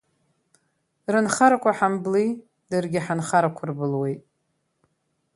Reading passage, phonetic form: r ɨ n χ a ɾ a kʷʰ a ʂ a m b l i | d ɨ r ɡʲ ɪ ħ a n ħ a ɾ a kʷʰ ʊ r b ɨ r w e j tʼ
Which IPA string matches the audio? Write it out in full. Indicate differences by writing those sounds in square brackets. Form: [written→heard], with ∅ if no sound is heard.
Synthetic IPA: r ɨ n χ a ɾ a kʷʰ a [ʂ→ħ] a m b l i | d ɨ r ɡʲ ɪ ħ a n [ħ→χ] a ɾ a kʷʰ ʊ r b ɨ [r→l] w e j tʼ